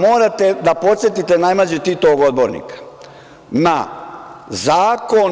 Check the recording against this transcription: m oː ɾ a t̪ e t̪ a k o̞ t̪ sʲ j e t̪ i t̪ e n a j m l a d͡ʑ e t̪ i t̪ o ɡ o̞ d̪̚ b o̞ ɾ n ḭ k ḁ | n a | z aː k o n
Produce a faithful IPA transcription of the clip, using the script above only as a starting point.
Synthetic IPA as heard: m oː ɾ a t̪ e d̪ a p o̞ t̪ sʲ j e t̪ i t̪ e n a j m l a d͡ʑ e t̪ i t̪ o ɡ o̞ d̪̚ b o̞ ɾ n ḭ k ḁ | n a | z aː k o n